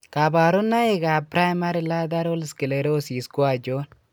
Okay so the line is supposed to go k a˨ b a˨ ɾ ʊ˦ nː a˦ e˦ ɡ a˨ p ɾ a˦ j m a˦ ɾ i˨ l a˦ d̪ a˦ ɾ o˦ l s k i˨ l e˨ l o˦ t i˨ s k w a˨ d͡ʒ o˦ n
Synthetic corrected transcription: k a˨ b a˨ ɾ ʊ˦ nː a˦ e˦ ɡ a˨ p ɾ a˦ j m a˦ ɾ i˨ l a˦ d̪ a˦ ɾ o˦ l s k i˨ l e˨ ɾ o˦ s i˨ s k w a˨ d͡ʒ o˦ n